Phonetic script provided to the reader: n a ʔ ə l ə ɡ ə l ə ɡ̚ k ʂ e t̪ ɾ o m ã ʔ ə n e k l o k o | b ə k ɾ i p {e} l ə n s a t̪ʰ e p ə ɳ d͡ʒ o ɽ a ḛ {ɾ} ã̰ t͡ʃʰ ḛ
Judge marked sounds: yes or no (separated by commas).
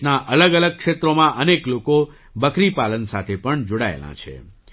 no, no